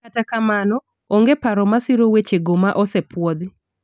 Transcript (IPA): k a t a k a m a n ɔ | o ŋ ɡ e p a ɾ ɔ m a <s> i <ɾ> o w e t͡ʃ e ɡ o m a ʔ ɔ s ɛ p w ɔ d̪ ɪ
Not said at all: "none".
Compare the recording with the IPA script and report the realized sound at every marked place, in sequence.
s, ɾ

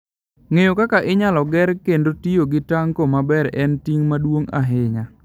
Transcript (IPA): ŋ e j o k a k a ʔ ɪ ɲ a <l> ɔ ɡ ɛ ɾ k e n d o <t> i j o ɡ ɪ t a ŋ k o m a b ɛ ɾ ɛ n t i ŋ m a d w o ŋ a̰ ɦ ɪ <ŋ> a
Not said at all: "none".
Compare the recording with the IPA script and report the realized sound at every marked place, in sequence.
l, t, ŋ

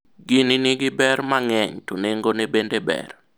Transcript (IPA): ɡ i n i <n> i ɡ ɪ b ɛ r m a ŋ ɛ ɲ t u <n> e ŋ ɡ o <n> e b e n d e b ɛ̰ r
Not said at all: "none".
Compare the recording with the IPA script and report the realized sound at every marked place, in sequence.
n, n, n

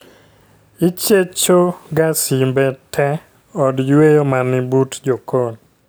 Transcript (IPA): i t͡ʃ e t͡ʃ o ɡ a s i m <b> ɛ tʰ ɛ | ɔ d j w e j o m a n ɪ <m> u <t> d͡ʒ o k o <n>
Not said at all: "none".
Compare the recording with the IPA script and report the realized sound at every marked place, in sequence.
b, b, t, n

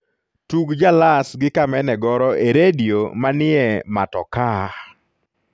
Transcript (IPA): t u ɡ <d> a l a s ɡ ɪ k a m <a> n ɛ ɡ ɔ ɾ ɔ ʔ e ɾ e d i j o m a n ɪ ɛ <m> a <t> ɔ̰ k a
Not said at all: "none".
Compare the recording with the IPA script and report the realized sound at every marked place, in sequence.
d͡ʒ, ɛ, m, t

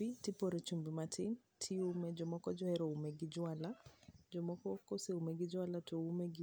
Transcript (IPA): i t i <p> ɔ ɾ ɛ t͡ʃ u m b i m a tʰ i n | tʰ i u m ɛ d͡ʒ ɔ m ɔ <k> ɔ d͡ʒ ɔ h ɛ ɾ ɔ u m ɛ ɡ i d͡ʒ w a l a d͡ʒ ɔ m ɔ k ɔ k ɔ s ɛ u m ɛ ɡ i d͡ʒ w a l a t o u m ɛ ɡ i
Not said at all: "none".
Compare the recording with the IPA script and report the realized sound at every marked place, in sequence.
p, k

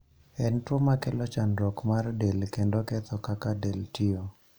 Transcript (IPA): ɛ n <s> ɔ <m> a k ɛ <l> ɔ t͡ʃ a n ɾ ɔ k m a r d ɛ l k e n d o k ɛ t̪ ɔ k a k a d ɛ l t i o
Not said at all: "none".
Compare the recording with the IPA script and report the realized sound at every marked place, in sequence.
t, m, l

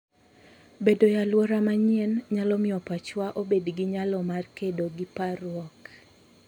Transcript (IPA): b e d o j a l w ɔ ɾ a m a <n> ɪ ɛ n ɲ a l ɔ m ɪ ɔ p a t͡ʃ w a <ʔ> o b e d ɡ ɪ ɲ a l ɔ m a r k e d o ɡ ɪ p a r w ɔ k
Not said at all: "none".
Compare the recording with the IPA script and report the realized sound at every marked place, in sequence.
ɲ, ʔ

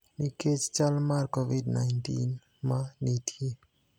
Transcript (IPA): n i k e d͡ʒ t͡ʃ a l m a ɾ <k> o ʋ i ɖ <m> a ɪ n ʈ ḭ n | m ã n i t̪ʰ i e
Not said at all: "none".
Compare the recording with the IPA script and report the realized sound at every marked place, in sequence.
k, n

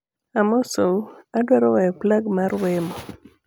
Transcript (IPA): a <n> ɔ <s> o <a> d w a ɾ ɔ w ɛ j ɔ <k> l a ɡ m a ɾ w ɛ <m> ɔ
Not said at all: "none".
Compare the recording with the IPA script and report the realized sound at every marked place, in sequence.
m, s, a, p, m

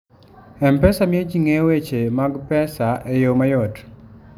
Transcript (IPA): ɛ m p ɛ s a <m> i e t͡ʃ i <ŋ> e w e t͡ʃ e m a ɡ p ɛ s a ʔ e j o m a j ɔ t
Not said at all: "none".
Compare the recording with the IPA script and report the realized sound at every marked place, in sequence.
m, ŋ

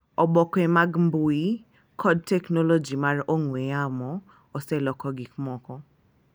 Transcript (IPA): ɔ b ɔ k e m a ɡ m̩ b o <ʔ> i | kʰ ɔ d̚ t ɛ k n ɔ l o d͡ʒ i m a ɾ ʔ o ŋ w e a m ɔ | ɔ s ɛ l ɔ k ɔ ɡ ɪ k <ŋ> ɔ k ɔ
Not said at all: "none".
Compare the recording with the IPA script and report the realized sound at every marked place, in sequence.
none, m

